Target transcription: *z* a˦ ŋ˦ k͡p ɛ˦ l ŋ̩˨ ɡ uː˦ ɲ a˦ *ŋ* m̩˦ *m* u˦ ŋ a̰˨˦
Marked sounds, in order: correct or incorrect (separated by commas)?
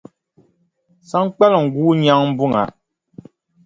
incorrect, correct, incorrect